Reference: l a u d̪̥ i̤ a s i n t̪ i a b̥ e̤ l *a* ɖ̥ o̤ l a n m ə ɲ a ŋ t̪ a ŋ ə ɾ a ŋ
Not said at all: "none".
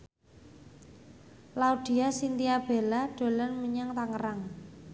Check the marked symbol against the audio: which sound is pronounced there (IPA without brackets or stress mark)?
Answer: a